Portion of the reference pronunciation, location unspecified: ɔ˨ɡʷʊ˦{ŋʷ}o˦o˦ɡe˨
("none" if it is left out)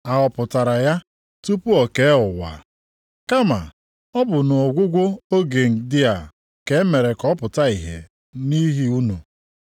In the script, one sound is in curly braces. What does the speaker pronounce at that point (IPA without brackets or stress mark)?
ɡʷ